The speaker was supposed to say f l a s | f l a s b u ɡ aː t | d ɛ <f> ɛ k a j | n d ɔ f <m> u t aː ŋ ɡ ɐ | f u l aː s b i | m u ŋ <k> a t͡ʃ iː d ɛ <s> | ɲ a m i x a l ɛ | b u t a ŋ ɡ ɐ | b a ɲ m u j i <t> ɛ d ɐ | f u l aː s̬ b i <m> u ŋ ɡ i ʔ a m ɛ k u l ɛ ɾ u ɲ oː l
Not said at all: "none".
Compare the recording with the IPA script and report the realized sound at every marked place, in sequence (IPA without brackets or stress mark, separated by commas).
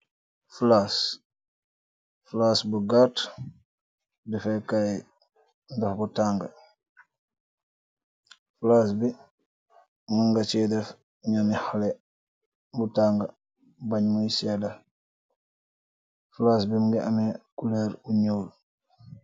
f, b, ɡ, f, s, m